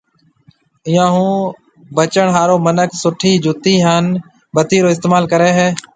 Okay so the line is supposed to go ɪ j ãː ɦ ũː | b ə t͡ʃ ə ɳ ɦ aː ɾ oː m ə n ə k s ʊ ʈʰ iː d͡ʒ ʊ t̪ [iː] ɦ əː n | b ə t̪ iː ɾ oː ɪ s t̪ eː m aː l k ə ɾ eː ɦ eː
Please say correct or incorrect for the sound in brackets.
correct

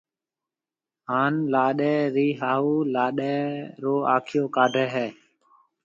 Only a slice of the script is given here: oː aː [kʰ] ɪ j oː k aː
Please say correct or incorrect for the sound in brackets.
correct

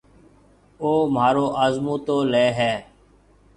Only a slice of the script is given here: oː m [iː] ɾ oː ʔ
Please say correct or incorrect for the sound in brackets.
incorrect: aː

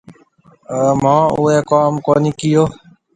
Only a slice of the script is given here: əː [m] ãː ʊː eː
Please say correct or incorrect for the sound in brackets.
correct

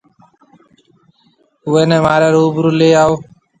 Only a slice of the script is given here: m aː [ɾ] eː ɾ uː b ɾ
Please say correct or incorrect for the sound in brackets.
correct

